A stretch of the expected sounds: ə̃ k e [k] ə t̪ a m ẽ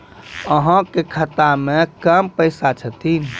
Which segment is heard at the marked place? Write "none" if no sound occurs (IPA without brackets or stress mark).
kʰ